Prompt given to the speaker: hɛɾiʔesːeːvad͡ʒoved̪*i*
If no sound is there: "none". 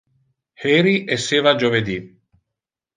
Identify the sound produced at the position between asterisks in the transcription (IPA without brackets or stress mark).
i